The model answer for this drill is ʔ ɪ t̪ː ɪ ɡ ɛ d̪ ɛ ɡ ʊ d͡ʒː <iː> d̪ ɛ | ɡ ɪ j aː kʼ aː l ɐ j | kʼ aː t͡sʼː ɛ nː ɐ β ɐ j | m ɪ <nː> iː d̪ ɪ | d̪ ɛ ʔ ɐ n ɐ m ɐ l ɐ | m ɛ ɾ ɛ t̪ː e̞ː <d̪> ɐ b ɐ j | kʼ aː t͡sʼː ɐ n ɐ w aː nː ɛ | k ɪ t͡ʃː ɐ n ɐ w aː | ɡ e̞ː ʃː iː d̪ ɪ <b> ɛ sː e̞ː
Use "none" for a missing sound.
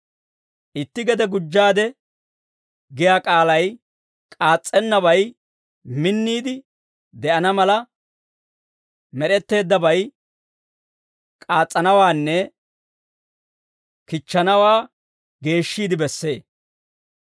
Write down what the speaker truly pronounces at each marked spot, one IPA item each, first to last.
aː, nː, d̪ː, b

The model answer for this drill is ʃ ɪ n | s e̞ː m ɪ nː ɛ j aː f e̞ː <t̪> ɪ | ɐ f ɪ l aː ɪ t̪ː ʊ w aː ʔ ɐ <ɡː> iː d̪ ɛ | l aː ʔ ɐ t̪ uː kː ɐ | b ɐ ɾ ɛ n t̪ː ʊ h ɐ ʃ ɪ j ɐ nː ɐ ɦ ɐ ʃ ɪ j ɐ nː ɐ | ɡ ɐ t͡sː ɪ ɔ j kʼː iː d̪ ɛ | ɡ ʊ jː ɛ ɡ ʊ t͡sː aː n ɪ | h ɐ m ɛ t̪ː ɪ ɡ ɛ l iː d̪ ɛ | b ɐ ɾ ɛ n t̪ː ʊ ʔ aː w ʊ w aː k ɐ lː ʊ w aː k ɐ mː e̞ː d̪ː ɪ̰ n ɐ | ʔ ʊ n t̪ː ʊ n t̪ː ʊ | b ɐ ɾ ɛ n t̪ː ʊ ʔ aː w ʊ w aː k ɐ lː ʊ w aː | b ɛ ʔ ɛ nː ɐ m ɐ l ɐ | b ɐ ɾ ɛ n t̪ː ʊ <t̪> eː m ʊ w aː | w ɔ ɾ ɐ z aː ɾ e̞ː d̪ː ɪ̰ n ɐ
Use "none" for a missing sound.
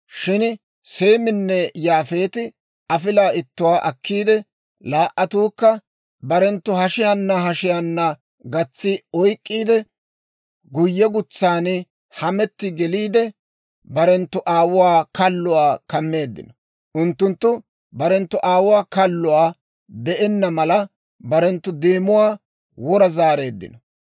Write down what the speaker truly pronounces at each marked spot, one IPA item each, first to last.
t̪, kː, d̪

